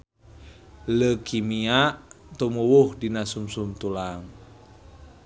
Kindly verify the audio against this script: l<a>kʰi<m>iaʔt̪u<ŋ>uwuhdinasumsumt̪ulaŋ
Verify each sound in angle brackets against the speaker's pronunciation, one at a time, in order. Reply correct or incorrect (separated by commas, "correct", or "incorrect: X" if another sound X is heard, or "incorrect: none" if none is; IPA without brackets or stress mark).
incorrect: ə, correct, incorrect: m